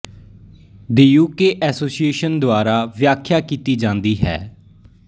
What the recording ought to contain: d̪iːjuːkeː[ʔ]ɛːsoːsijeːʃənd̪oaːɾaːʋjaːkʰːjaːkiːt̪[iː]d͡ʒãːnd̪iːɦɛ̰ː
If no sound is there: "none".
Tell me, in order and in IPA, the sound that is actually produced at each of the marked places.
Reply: ʔ, iː

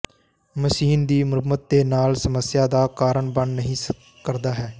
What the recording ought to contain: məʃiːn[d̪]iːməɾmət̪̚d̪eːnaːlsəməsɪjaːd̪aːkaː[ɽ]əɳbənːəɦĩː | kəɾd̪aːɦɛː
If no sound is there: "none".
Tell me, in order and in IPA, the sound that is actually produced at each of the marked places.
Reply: d̪, ɾ

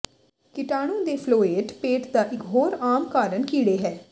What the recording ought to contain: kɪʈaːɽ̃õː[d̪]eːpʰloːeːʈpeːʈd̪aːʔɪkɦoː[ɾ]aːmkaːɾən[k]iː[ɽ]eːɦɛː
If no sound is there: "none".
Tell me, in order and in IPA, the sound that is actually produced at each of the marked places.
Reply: d̪, ɾ, k, ɽ

